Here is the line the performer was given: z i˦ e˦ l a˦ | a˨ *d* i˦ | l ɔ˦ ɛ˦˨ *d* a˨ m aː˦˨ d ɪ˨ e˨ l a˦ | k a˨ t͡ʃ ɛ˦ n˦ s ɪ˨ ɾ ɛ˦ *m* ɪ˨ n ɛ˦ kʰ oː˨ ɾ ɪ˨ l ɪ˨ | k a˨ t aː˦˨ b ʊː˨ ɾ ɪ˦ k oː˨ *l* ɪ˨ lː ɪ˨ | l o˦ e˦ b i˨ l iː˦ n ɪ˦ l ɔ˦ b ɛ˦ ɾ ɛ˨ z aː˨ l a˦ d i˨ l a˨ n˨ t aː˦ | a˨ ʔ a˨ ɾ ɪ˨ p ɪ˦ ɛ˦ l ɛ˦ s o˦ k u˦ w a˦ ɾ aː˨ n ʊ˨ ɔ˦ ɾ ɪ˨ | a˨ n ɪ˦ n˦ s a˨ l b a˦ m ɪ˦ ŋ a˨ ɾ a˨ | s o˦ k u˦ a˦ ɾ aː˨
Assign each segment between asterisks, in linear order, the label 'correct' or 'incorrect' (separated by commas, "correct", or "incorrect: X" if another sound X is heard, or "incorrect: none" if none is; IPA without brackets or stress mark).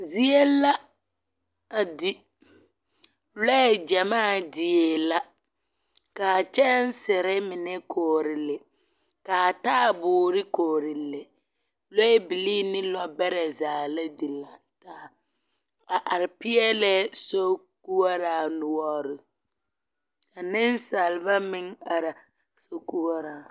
correct, incorrect: d͡ʒ, correct, incorrect: ɾ